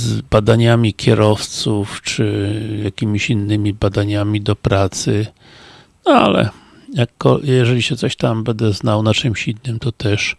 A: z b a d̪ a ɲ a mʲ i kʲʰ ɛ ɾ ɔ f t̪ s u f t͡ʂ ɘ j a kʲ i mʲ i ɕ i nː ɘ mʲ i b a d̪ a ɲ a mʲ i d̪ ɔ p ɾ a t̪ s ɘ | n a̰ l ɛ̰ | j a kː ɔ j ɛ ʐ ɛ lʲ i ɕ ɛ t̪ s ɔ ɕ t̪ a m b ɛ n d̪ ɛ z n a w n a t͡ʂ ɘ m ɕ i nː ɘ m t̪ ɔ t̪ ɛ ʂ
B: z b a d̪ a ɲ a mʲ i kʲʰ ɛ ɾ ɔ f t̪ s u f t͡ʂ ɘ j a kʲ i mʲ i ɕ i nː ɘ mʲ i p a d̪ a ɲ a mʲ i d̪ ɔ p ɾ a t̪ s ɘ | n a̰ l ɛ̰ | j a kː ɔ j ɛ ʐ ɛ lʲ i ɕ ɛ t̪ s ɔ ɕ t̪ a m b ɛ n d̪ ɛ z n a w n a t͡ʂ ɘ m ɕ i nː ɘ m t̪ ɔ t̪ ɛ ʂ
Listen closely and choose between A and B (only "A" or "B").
A